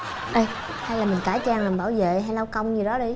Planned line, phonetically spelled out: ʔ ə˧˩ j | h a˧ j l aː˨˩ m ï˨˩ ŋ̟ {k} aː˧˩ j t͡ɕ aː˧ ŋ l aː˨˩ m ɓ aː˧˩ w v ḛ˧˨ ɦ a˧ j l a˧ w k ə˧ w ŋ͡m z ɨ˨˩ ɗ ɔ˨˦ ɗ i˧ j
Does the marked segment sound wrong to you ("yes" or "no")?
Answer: no